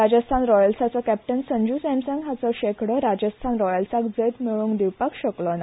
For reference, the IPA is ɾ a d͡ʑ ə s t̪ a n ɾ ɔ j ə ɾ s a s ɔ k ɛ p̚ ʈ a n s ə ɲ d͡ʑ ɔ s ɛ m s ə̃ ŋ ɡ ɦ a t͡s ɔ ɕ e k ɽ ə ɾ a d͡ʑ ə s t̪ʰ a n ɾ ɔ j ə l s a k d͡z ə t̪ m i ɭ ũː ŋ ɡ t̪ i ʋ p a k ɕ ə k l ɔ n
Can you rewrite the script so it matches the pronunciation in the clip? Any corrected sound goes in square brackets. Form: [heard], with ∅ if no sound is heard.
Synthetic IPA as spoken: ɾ a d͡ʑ ə s [t̪ʰ] a n ɾ ɔ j ə [l] s a [t͡s] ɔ k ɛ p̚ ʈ [ə] n s ə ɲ d͡ʑ [u] s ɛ m s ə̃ ŋ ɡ ɦ a t͡s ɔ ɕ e k ɽ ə ɾ a d͡ʑ ə s t̪ʰ a n ɾ ɔ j ə l s a k d͡z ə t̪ m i ɭ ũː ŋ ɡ [d̪] i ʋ p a k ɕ ə k l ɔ n